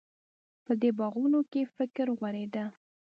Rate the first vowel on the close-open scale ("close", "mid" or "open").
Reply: mid